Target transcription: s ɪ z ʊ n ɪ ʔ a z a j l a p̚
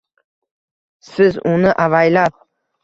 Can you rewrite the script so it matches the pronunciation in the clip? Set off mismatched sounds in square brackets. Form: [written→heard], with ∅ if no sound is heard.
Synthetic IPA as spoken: s ɪ z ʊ n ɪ ʔ a [z→v] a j l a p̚